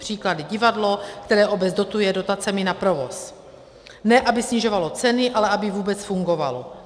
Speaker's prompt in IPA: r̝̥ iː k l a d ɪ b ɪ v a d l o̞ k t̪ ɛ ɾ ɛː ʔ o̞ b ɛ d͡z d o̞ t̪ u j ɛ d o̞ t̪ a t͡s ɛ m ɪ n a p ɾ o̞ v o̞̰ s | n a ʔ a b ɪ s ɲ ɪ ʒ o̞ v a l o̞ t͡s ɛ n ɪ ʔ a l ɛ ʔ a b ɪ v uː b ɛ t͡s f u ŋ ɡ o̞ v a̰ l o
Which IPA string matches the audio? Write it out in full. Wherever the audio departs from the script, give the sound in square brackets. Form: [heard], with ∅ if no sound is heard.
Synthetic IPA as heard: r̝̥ iː k l a d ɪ [ɟ] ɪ v a d l o̞ k t̪ ɛ ɾ ɛː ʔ o̞ b ɛ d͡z d o̞ t̪ u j ɛ d o̞ t̪ a t͡s ɛ m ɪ n a p ɾ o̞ v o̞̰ s | n [ɛ] ʔ a b ɪ s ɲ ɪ ʒ o̞ v a l o̞ t͡s ɛ n ɪ ʔ a l ɛ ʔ a b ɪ v uː b ɛ t͡s f u ŋ ɡ o̞ v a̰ l o